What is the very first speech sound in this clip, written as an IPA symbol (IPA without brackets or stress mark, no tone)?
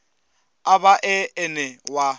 a